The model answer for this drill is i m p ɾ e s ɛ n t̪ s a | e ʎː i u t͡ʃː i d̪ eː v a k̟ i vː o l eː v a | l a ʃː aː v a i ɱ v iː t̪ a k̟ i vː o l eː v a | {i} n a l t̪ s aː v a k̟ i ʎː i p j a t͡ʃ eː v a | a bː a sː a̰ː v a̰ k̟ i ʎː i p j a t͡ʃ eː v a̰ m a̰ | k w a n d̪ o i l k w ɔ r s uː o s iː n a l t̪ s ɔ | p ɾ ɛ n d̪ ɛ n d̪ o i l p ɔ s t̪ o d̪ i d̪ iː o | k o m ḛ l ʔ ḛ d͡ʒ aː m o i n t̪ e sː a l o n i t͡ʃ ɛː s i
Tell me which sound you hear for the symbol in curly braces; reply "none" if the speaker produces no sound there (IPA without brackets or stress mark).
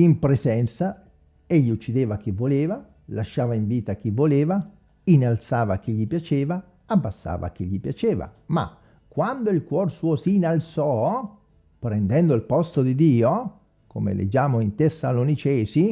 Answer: i